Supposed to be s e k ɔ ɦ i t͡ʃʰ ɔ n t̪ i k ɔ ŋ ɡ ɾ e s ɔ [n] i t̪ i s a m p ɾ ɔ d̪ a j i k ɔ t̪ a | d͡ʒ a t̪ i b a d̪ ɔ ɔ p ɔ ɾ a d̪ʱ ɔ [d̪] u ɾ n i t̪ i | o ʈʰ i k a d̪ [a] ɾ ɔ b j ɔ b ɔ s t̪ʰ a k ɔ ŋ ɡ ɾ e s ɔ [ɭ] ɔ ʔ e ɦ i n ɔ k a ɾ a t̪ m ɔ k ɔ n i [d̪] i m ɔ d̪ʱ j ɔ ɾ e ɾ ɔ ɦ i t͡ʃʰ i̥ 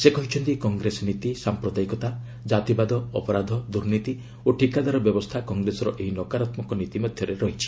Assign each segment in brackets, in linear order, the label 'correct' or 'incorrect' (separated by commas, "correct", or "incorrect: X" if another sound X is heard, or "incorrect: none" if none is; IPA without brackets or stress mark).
correct, correct, correct, incorrect: ɾ, incorrect: t̪